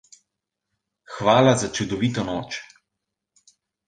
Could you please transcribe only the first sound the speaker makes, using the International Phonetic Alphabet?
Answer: x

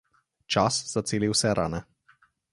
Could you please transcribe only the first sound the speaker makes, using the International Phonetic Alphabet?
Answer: t͡ʃ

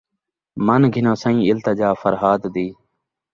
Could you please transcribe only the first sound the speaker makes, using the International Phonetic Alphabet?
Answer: m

